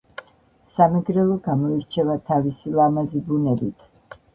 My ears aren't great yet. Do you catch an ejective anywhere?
no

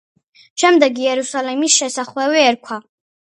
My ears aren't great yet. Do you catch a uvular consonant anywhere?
yes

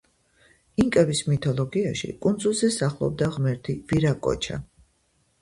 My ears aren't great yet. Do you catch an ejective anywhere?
yes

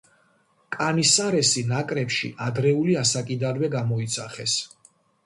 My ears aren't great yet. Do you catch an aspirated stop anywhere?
no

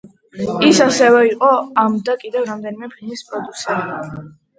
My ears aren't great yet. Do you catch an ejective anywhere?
yes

